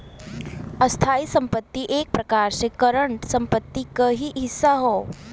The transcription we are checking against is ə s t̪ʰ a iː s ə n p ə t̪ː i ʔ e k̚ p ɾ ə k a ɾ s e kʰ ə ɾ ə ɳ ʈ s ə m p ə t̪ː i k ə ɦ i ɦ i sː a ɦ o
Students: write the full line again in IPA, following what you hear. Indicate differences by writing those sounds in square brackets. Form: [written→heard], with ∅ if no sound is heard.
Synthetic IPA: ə s t̪ʰ a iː s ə [n→m] p ə t̪ː i ʔ e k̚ p ɾ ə k a ɾ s e [kʰ→k] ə ɾ ə ɳ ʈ s ə m p ə t̪ː i k ə ɦ i ɦ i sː a ɦ o